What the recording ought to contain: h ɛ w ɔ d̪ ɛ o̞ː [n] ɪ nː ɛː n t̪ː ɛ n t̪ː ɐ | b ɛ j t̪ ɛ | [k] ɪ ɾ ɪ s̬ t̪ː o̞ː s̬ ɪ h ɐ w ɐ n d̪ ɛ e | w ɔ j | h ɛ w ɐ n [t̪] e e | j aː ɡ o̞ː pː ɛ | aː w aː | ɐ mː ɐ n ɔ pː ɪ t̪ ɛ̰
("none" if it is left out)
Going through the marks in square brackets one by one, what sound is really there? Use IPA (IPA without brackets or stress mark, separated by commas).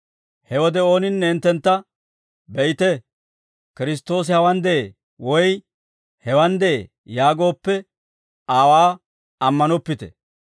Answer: n, k, d̪